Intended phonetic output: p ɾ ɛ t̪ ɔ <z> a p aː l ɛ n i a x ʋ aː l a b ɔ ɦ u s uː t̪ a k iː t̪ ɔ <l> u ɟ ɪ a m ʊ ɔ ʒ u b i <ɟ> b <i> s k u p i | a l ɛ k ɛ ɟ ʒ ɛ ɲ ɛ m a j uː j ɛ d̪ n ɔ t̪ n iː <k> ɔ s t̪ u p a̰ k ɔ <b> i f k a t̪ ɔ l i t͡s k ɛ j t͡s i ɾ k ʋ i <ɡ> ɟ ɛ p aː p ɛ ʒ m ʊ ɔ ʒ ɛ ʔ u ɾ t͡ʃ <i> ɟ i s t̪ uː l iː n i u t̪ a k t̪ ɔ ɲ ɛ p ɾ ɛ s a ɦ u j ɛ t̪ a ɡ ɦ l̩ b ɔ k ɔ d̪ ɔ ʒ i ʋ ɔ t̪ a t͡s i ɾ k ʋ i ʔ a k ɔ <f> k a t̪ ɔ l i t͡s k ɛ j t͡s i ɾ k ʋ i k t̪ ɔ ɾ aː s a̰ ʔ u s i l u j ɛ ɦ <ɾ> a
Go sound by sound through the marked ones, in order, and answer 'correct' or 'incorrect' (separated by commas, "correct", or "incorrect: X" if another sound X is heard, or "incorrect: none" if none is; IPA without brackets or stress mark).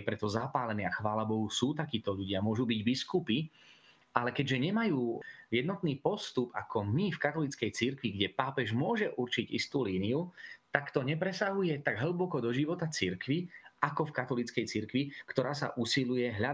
correct, incorrect: ʎ, correct, correct, incorrect: p, incorrect: m, correct, correct, correct, incorrect: ʎ